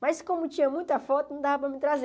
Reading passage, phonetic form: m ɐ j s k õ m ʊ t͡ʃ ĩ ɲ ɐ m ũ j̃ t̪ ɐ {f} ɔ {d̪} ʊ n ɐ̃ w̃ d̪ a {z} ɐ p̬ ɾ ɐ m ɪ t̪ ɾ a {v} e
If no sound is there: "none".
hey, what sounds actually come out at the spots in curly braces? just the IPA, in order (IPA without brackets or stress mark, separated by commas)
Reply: f, t̪, v, z